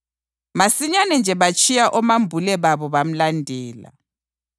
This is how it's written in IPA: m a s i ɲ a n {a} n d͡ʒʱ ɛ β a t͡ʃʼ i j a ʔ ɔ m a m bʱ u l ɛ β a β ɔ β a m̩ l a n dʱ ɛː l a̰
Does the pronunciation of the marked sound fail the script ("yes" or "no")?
yes